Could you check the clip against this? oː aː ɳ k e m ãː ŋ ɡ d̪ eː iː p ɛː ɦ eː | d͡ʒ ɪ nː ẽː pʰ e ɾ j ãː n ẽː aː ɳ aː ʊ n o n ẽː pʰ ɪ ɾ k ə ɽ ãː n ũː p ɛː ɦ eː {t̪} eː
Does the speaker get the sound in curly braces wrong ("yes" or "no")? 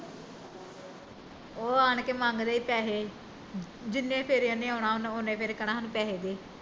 yes